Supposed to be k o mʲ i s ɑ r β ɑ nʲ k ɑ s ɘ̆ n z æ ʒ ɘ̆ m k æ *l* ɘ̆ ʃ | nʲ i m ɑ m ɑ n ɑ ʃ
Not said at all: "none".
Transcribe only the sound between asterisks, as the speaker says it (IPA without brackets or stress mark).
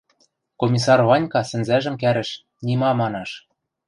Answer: ɾ